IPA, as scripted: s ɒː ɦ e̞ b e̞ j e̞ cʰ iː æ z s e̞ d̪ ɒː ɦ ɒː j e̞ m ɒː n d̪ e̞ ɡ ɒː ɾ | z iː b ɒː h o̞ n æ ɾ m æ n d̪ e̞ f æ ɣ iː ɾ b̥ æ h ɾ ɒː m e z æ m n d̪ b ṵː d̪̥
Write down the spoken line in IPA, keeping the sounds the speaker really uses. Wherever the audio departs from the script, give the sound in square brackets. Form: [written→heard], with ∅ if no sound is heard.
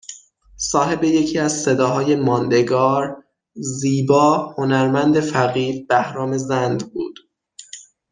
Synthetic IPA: s ɒː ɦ e̞ b e̞ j e̞ cʰ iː æ z s e̞ d̪ ɒː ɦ ɒː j e̞ m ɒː n d̪ e̞ ɡ ɒː ɾ | z iː b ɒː h o̞ n æ ɾ m æ n d̪ e̞ f æ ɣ iː ɾ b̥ æ h ɾ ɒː m e z æ [m→∅] n d̪ b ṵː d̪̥

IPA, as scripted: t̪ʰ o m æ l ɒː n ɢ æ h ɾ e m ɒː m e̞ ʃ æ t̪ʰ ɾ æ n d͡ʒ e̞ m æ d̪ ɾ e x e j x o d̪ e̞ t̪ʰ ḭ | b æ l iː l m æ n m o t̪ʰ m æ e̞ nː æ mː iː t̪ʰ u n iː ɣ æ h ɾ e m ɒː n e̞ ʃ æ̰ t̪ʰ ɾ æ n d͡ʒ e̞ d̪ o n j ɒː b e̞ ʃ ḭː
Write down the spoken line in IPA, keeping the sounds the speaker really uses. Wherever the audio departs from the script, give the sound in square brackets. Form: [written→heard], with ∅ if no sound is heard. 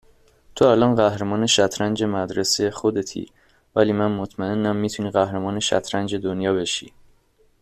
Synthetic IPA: t̪ʰ o [m→∅] æ l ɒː n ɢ æ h ɾ e m ɒː [m→n] e̞ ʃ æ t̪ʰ ɾ æ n d͡ʒ e̞ m æ d̪ ɾ e [x→s] e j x o d̪ e̞ t̪ʰ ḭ | [b→v] æ l iː [l→∅] m æ n m o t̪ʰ m æ e̞ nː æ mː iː t̪ʰ u n iː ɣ æ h ɾ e m ɒː n e̞ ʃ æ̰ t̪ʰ ɾ æ n d͡ʒ e̞ d̪ o n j ɒː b e̞ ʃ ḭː

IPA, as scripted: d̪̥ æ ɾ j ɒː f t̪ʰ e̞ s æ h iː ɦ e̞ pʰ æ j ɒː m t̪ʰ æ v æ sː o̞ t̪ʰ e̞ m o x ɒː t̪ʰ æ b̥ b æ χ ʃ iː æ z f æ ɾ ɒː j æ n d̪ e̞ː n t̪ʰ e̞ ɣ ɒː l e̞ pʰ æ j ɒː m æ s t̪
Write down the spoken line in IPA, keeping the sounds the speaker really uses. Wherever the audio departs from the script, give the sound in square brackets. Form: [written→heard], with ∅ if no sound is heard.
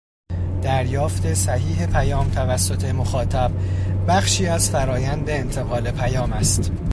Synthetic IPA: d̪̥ æ ɾ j ɒː f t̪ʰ e̞ s æ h iː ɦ e̞ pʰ æ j ɒː m t̪ʰ æ v æ sː o̞ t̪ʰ e̞ m o x ɒː t̪ʰ æ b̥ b æ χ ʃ iː æ z f æ ɾ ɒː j æ n d̪ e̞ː n t̪ʰ e̞ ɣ ɒː l e̞ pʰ æ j ɒː m æ s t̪

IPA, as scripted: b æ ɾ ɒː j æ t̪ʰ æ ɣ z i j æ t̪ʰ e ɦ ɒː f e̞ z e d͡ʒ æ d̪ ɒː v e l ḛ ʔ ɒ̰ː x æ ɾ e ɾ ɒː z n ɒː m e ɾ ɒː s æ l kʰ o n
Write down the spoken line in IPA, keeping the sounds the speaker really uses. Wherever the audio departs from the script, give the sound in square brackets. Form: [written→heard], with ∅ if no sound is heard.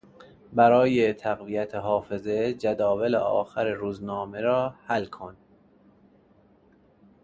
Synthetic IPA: b æ ɾ ɒː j [æ→e] t̪ʰ æ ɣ [z→v] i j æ t̪ʰ e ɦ ɒː f e̞ z e d͡ʒ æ d̪ ɒː v e l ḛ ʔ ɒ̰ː x æ ɾ e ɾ [ɒː→uː] z n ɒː m e ɾ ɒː [s→h] æ l kʰ o n

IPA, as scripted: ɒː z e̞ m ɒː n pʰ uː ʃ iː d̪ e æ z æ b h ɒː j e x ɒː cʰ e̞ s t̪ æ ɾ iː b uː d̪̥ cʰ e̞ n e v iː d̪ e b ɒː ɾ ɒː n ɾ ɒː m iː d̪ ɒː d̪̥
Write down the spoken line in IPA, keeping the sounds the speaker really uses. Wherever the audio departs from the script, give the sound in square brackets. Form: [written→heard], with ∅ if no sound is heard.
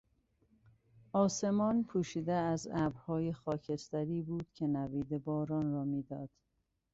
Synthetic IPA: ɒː [z→s] e̞ m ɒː n pʰ uː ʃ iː d̪ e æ z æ b h ɒː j e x ɒː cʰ e̞ s t̪ æ ɾ iː b uː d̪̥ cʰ e̞ n [e→æ] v iː d̪ e b ɒː ɾ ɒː n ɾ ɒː m iː d̪ ɒː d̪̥

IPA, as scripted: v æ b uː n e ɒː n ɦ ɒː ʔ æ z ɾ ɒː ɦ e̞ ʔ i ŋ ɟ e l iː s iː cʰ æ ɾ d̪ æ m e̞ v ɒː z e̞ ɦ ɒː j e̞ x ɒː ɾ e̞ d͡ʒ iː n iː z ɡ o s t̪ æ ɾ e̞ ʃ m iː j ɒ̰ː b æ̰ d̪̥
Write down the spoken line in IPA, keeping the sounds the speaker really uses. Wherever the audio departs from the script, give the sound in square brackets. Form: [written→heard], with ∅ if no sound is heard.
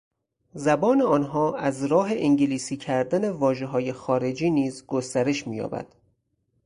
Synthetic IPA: [v→z] æ b [uː→ɒː] n e ɒː n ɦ ɒː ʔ æ z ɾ ɒː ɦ e̞ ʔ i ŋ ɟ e l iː s iː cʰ æ ɾ d̪ æ [m→n] e̞ v ɒː [z→ʒ] e̞ ɦ ɒː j e̞ x ɒː ɾ e̞ d͡ʒ iː n iː z ɡ o s t̪ æ ɾ e̞ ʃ m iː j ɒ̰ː b æ̰ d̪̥

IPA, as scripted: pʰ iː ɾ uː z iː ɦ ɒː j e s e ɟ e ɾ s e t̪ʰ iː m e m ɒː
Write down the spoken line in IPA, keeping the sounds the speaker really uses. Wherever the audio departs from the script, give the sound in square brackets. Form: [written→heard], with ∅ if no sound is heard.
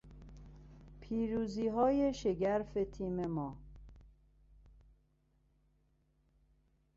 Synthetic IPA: pʰ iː ɾ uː z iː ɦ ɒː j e [s→ʃ] e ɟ [e→æ] ɾ [s→f] e t̪ʰ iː m e m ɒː

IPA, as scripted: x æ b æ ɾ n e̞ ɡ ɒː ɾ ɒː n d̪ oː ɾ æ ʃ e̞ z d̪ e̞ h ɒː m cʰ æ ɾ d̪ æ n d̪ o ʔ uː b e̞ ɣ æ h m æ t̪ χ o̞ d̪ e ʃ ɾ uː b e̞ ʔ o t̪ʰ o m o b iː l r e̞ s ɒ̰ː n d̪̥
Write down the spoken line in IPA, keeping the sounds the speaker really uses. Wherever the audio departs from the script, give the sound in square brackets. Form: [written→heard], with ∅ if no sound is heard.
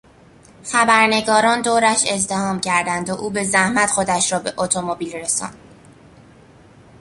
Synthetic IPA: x æ b æ ɾ n e̞ ɡ ɒː ɾ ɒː n d̪ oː ɾ æ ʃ e̞ z d̪ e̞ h ɒː m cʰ æ ɾ d̪ æ n d̪ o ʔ uː b e̞ [ɣ→z] æ h m æ t̪ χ o̞ d̪ [e→æ] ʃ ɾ [uː→ɒː] b e̞ ʔ o t̪ʰ o m o b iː l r e̞ s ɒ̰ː n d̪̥

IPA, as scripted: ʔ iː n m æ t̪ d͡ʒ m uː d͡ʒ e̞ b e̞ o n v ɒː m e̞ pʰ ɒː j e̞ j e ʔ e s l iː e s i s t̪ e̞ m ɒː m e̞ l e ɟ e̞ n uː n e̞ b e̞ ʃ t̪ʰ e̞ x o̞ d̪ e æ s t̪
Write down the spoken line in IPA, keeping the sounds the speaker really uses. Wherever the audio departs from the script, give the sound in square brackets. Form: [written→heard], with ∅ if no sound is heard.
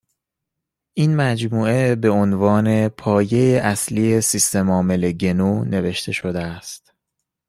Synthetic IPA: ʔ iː n m æ [t̪→∅] d͡ʒ m uː [d͡ʒ→∅] e̞ b e̞ o n v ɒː [m→n] e̞ pʰ ɒː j e̞ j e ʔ [e→æ] s l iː e s i s t̪ e̞ m ɒː m e̞ l e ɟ e̞ n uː n e̞ [b→v] e̞ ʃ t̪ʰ e̞ [x→ʃ] o̞ d̪ e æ s t̪

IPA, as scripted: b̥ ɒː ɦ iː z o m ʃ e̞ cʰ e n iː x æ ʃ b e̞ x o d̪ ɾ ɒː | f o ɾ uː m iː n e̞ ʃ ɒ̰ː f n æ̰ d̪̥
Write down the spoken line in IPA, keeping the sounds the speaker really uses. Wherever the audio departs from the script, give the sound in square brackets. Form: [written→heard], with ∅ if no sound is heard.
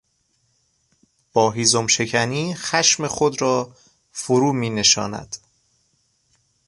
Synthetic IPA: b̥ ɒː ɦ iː z o m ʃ e̞ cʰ [e→æ] n iː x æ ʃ [b→m] e̞ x o d̪ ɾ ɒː | f o ɾ uː m iː n e̞ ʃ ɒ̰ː [f→∅] n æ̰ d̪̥

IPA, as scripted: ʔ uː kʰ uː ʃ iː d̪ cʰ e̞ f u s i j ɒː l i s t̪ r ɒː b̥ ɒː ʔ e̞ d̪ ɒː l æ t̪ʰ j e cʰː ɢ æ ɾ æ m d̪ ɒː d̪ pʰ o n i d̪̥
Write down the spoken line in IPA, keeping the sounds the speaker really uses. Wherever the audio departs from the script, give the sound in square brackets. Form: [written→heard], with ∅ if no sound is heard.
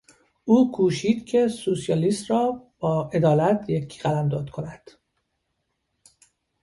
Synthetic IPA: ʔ uː kʰ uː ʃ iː d̪ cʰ e̞ [f→s] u s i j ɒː l i s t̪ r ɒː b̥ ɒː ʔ e̞ d̪ ɒː l æ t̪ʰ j e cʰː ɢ æ [ɾ→l] æ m d̪ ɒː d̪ [pʰ→kʰ] o n [i→æ] d̪̥

